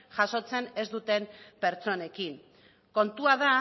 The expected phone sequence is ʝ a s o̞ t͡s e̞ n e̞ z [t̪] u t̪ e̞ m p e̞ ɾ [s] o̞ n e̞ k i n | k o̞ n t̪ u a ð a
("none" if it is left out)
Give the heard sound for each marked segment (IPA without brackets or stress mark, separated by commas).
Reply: d̪, t͡s